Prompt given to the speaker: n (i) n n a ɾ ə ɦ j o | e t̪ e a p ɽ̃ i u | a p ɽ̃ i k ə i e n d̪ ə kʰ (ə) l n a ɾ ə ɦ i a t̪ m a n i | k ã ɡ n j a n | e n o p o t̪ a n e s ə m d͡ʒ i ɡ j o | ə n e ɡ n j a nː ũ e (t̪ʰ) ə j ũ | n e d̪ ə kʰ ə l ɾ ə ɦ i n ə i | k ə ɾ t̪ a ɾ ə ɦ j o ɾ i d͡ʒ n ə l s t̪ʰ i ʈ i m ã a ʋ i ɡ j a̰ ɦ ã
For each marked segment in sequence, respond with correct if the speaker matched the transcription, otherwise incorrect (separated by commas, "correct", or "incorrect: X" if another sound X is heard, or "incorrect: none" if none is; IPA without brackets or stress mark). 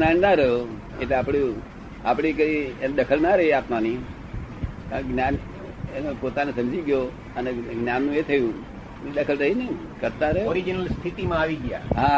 incorrect: a, correct, correct